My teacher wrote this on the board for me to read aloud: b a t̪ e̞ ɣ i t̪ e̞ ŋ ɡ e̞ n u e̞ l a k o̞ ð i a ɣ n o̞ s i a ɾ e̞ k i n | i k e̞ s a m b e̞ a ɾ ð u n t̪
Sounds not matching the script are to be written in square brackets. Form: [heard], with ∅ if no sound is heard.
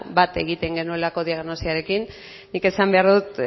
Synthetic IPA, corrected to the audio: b a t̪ e̞ ɣ i t̪ e̞ ŋ ɡ e̞ n u e̞ l a k o̞ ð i a ɣ n o̞ s i a ɾ e̞ k i [nː] | i k e̞ s a m b e̞ a ɾ ð u [∅] t̪